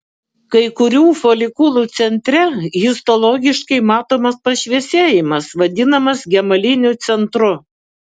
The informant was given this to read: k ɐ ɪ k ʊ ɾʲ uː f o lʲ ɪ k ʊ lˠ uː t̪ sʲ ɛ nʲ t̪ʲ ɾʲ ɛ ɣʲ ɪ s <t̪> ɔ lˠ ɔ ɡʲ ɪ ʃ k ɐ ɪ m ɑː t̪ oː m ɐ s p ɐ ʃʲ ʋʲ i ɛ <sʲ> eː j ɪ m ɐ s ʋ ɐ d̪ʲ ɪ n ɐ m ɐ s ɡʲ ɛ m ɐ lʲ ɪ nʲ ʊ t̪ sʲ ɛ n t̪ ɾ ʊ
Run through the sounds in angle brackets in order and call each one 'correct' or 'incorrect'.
correct, correct

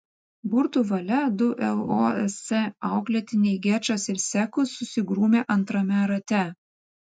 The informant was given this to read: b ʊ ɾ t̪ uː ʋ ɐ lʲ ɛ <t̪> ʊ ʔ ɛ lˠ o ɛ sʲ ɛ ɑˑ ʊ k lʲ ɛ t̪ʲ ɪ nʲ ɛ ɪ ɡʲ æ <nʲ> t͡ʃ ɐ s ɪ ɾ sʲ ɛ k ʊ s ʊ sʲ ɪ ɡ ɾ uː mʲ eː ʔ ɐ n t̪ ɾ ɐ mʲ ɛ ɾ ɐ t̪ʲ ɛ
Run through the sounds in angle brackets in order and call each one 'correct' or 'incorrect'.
incorrect: d̪, incorrect: none

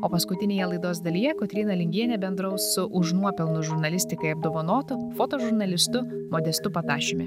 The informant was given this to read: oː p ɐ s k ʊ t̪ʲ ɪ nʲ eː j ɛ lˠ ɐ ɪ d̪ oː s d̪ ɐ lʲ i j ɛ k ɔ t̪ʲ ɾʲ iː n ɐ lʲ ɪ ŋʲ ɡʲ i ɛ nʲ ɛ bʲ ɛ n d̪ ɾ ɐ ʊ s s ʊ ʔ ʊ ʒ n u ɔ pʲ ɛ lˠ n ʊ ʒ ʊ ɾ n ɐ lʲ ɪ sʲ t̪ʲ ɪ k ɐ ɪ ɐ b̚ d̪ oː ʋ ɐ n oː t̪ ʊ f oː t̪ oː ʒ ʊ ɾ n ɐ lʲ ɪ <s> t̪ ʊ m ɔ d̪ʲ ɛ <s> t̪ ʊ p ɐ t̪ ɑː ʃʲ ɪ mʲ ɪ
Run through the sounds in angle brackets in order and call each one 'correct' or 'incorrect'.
correct, correct

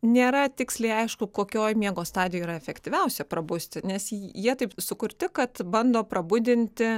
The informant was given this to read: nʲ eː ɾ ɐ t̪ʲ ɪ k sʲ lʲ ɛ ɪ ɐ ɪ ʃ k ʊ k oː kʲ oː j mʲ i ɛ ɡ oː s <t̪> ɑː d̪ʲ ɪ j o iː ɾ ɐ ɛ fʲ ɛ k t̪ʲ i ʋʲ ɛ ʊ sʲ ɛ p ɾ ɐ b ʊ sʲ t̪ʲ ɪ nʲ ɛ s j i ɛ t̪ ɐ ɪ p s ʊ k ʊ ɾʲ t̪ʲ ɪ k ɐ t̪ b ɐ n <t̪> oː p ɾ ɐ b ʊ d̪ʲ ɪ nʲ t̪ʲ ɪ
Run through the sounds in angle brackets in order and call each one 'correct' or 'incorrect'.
correct, incorrect: d̪

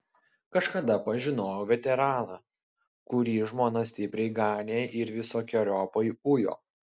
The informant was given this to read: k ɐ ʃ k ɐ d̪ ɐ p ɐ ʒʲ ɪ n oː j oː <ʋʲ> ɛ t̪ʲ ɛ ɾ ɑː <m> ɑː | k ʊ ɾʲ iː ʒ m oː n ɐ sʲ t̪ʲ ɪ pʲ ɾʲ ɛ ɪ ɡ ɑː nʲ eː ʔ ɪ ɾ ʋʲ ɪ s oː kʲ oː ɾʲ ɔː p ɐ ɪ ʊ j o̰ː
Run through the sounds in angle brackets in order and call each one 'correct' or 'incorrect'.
correct, incorrect: n

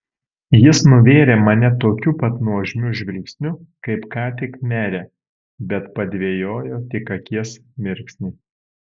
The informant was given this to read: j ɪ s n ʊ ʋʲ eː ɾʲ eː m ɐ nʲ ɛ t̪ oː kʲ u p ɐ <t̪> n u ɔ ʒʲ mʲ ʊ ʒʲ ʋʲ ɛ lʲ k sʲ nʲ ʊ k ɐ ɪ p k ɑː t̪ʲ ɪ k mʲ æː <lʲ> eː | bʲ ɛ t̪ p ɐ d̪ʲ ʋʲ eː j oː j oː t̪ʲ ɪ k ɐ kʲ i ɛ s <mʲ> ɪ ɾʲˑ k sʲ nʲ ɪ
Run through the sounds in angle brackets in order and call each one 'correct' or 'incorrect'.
correct, incorrect: ɾʲ, correct

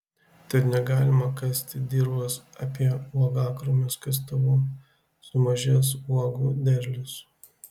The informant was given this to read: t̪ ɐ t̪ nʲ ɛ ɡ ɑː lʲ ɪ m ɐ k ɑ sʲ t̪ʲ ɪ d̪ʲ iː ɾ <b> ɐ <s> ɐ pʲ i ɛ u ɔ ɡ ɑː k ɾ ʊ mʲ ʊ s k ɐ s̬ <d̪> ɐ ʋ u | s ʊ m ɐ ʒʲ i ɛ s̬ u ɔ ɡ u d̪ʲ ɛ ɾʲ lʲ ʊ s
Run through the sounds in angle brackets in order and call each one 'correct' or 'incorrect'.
correct, correct, incorrect: t̪

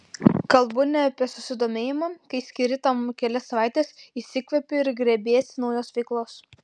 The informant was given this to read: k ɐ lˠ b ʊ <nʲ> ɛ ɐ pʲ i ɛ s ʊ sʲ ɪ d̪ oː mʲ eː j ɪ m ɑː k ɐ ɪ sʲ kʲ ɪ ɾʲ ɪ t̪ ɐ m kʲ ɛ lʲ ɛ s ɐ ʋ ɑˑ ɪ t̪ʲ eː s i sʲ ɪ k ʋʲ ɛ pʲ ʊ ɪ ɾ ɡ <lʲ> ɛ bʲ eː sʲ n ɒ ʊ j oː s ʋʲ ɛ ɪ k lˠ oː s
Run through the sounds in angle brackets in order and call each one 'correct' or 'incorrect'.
correct, incorrect: ɾʲ

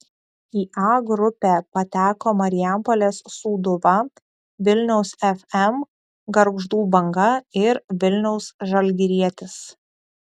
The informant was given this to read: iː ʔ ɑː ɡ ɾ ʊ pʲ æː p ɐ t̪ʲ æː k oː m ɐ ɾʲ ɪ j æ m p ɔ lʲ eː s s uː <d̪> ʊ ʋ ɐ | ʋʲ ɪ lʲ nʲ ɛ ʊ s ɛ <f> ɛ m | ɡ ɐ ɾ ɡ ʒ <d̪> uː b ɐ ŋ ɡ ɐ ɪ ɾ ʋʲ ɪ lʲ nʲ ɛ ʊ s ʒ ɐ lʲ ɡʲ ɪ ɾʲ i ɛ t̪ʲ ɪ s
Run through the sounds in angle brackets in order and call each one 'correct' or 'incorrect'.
correct, correct, correct

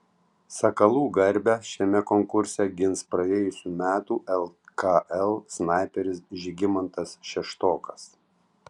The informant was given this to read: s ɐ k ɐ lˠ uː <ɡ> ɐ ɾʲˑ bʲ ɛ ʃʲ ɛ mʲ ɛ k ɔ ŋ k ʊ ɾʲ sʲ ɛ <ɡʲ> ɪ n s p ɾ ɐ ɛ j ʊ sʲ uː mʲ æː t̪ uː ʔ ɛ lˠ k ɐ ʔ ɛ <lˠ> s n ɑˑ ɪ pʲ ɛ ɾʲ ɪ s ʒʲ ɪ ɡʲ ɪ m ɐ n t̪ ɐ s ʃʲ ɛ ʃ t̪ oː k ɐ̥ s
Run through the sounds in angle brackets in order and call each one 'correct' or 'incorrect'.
correct, correct, correct

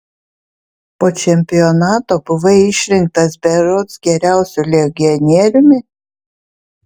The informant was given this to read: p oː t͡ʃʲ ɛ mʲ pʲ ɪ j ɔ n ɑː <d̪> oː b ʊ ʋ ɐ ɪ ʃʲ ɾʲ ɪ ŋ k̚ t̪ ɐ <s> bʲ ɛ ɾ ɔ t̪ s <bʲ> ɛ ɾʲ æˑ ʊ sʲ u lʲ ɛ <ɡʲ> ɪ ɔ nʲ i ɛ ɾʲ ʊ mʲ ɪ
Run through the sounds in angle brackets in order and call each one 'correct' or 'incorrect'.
incorrect: t̪, correct, incorrect: ɡʲ, correct

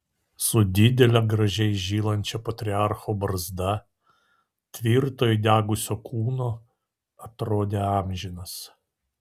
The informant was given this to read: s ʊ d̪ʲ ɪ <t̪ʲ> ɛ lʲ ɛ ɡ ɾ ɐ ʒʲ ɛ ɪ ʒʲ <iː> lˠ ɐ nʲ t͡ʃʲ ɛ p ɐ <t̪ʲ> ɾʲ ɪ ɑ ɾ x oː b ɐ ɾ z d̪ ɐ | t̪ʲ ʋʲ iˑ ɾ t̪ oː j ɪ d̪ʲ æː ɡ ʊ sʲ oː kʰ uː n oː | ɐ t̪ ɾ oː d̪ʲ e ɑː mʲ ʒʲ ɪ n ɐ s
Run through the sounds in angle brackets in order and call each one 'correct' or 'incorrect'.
incorrect: d̪ʲ, correct, correct

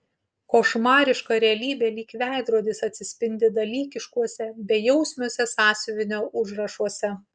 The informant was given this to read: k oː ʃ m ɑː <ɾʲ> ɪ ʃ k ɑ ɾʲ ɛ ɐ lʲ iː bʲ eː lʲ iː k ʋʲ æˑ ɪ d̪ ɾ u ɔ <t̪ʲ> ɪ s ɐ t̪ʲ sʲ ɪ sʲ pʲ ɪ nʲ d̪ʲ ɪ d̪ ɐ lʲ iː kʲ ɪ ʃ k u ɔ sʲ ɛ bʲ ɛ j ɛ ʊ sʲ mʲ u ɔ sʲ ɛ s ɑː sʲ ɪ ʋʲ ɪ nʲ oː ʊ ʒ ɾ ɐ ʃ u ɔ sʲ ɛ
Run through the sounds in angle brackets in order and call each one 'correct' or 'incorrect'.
correct, incorrect: d̪ʲ

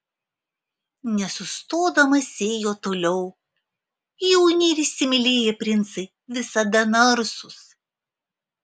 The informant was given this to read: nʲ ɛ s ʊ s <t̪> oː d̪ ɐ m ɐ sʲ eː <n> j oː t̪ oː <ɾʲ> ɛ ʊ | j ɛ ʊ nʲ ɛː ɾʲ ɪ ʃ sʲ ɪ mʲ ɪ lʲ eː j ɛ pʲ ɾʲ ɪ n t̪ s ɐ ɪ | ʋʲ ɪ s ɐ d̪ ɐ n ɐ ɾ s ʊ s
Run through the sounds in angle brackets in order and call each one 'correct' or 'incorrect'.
correct, incorrect: none, incorrect: lʲ

